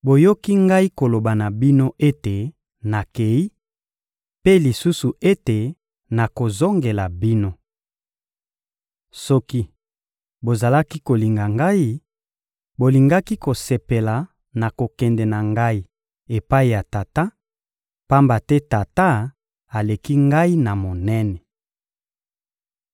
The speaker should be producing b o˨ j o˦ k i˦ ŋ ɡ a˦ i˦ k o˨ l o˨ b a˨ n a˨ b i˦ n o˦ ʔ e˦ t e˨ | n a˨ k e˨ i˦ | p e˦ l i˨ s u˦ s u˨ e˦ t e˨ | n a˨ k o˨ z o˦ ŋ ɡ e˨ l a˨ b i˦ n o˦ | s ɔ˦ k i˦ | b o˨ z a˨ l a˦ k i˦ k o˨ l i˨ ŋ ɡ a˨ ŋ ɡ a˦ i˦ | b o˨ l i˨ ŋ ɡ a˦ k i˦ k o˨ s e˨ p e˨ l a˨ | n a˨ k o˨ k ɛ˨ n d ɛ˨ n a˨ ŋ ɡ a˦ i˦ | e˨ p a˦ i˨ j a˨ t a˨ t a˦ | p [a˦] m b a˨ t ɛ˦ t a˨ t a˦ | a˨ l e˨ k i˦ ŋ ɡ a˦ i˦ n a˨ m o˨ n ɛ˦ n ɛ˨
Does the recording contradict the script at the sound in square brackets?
no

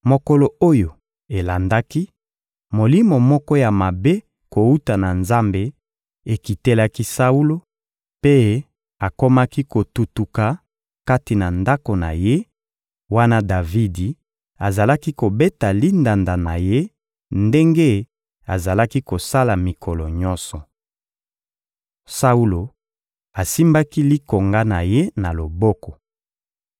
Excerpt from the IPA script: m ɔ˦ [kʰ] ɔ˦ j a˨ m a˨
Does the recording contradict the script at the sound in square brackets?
yes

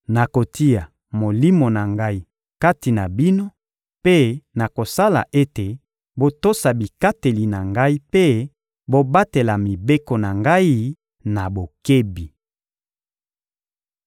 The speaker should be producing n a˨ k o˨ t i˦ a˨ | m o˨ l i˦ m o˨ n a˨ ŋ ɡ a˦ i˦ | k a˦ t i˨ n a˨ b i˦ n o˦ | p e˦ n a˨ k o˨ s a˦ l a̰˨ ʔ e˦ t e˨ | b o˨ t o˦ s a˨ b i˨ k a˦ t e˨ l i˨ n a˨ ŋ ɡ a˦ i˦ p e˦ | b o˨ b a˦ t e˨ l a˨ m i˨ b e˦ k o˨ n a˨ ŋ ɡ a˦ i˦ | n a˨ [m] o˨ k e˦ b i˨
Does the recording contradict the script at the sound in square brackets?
yes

